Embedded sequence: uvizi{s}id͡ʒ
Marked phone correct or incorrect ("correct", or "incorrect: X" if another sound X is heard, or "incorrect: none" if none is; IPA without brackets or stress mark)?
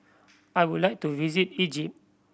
incorrect: t